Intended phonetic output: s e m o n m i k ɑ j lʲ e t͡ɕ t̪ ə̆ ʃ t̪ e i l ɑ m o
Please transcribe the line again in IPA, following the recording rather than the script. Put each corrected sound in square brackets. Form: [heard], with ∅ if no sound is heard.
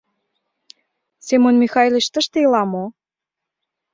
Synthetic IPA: s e m o n m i [x] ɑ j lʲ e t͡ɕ t̪ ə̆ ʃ t̪ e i l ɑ m o